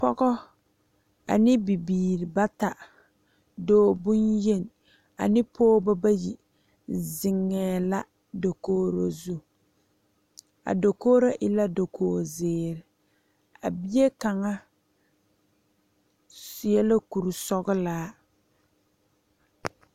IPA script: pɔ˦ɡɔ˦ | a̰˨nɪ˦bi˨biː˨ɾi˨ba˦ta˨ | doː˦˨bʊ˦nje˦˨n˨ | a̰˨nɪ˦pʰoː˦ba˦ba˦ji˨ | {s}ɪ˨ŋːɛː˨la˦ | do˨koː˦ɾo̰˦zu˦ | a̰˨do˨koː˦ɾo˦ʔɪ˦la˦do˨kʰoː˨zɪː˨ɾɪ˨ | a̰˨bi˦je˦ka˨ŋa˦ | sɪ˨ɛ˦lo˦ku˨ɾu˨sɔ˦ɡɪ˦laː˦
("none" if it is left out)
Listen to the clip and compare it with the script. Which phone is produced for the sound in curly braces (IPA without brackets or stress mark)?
z